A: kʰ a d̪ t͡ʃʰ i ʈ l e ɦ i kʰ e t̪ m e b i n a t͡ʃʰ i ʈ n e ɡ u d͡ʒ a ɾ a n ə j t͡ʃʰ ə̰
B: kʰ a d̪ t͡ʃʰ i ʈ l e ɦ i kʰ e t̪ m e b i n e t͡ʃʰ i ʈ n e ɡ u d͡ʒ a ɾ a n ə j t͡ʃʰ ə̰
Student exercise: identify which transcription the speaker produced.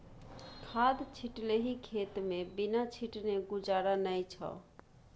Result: A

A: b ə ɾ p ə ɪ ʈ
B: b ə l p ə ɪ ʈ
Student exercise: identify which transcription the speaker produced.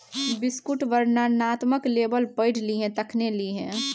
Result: B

